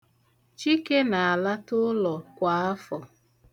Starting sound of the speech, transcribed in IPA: t͡ʃ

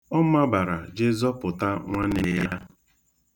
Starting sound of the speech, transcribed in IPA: ɔ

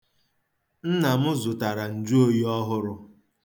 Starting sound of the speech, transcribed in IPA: n̩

